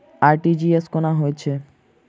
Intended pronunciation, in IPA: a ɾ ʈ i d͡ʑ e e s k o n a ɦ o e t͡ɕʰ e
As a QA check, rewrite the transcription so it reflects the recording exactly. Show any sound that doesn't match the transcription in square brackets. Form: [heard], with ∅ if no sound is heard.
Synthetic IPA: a ɾ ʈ i d͡ʑ [i] e s k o n a ɦ o e t͡ɕʰ e